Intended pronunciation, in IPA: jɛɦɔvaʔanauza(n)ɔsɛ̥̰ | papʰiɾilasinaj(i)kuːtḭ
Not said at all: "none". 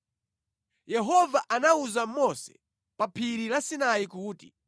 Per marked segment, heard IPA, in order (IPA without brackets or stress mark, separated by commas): m, i